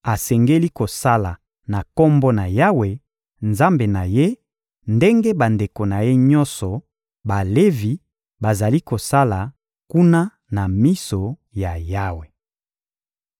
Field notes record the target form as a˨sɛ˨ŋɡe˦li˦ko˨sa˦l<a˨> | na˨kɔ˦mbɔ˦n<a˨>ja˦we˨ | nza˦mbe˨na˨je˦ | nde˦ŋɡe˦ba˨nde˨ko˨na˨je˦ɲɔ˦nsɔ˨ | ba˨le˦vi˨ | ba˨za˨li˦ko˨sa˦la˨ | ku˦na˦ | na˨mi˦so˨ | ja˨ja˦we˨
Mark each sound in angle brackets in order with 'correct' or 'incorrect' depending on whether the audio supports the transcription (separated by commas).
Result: correct, correct